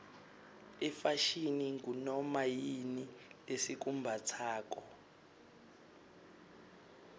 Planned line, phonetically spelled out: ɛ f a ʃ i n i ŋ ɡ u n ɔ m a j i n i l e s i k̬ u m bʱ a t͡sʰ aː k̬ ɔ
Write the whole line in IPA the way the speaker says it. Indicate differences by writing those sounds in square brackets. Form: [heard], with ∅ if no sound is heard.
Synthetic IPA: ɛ f a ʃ i n i ŋ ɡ u n ɔ m a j i n i l e s i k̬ u m bʱ a t͡sʰ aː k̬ ɔ